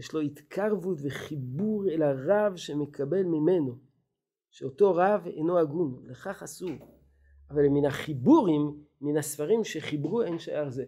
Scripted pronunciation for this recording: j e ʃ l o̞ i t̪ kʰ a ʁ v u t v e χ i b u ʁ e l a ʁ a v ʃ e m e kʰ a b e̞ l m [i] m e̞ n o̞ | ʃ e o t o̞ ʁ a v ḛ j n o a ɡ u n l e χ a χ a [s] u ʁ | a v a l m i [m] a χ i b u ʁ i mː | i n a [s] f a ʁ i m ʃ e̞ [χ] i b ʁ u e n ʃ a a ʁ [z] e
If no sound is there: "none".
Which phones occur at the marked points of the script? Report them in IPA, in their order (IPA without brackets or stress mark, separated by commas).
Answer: i, s, n, s, χ, z